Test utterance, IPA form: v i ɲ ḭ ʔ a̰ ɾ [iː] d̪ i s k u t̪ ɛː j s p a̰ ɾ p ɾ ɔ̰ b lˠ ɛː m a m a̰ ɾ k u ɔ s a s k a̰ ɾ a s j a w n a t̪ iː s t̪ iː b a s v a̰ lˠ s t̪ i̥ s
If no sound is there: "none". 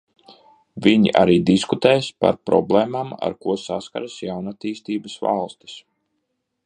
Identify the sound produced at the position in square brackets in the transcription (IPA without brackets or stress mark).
iː